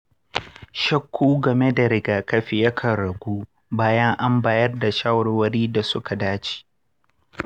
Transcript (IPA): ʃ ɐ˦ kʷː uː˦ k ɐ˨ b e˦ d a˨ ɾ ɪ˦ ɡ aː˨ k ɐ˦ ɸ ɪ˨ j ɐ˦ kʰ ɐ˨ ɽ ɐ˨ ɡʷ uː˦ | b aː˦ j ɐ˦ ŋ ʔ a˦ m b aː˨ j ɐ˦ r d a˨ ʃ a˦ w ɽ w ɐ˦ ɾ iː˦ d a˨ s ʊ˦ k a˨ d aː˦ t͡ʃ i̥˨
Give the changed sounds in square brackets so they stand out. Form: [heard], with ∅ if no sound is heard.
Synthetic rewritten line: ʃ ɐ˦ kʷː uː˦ [ɡ] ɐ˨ [m] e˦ d a˨ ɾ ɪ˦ ɡ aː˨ k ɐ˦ ɸ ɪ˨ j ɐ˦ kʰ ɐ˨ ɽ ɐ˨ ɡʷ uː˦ | b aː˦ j ɐ˦ ŋ ʔ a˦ m b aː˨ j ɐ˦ r d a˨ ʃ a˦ w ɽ w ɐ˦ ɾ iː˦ d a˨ s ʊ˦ k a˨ d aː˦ t͡ʃ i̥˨

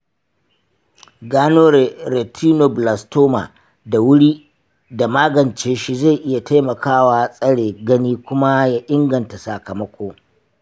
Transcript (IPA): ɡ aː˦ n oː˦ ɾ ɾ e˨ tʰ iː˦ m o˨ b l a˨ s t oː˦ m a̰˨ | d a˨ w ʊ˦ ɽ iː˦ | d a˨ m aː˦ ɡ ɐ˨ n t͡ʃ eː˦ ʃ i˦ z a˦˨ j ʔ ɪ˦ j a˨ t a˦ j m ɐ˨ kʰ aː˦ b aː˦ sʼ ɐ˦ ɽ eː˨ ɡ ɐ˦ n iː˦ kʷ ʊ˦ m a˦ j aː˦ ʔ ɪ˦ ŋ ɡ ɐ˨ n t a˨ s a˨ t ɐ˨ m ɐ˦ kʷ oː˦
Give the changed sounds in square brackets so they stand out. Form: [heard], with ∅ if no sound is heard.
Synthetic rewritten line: ɡ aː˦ n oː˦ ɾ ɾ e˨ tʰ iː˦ [n] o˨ b l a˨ s t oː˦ m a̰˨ | d a˨ w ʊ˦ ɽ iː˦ | d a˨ m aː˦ ɡ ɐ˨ n t͡ʃ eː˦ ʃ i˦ z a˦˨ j ʔ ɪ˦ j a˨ t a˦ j m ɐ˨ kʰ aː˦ [w] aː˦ sʼ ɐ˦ ɽ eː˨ ɡ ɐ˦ n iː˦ kʷ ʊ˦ m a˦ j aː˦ ʔ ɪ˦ ŋ ɡ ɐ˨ n t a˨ s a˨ [k] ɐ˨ m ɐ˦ kʷ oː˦

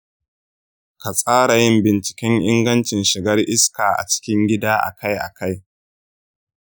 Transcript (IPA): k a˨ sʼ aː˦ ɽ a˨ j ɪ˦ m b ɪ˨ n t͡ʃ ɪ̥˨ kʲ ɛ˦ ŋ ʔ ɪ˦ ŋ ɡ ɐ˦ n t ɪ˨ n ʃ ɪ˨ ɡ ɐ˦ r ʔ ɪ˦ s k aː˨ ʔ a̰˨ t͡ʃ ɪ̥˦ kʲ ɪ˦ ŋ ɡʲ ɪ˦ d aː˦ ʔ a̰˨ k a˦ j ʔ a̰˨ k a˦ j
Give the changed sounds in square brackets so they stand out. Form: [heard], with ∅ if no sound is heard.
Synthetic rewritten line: k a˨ sʼ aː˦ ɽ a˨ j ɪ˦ m b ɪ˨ n t͡ʃ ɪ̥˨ kʲ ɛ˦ ŋ ʔ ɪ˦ ŋ ɡ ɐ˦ n [t͡ʃ] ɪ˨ n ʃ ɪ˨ ɡ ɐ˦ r ʔ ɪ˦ s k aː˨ ʔ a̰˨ t͡ʃ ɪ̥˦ kʲ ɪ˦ ŋ ɡʲ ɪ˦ d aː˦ ʔ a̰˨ k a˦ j ʔ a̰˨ k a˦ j

